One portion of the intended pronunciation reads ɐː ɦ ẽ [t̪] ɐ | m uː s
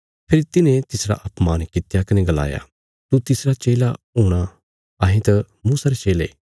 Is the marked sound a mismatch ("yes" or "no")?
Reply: no